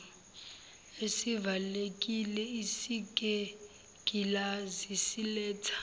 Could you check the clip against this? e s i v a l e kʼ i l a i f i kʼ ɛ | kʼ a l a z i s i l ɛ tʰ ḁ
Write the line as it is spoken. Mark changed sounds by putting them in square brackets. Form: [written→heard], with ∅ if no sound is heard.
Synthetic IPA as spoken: e s i v a l e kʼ i l [a→ɛ] i [f→s] i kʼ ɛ | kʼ [a→i] l a z i s i l [ɛ→ɛː] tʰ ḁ